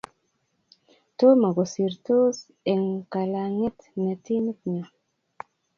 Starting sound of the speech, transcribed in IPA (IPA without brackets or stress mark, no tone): t